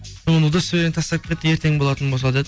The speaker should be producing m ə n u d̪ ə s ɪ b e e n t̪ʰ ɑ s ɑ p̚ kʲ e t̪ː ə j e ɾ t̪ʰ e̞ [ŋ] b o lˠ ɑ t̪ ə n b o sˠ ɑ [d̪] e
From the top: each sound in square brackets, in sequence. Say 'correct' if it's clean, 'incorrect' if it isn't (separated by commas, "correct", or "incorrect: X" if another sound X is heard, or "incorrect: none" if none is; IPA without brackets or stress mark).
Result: correct, correct